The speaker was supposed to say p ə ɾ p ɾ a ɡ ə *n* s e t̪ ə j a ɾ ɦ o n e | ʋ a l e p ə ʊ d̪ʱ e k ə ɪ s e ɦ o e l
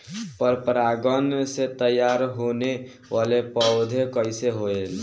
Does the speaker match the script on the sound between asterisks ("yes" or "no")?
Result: yes